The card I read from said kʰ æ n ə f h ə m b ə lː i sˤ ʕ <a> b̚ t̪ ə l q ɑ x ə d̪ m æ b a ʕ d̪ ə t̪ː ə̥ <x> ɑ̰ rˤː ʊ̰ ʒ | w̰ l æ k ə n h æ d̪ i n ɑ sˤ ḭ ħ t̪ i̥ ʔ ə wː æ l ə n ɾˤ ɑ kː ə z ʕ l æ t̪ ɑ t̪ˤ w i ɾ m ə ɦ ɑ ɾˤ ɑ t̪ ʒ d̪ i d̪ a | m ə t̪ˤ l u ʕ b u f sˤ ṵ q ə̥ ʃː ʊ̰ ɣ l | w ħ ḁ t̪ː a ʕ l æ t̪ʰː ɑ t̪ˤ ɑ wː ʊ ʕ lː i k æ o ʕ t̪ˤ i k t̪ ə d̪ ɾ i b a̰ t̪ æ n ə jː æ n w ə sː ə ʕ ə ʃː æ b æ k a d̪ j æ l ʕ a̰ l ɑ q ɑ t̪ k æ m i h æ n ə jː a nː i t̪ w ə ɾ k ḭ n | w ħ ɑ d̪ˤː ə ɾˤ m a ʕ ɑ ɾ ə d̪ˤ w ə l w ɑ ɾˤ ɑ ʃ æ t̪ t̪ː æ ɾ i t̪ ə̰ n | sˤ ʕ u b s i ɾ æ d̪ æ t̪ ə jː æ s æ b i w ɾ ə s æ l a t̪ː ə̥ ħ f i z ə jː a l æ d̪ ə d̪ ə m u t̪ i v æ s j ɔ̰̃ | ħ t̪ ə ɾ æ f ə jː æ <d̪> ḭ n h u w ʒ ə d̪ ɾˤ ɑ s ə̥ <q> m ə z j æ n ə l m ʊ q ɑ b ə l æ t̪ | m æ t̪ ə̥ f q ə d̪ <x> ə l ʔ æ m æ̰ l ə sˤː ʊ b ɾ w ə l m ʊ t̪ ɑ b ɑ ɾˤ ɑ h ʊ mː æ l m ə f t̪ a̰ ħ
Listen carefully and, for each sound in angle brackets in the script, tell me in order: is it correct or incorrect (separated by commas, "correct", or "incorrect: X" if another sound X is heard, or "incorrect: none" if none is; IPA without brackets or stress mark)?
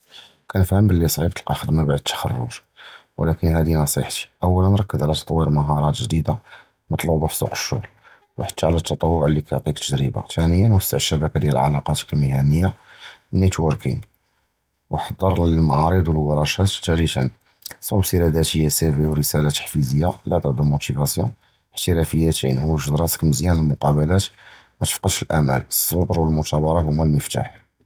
incorrect: i, correct, incorrect: t̪, incorrect: k, incorrect: ʃ